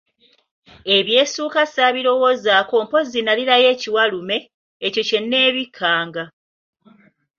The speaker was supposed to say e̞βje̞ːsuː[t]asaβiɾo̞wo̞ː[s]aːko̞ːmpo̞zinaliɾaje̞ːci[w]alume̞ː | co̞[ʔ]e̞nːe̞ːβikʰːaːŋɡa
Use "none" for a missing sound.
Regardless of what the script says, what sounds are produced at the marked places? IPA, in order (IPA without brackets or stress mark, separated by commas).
k, z, w, c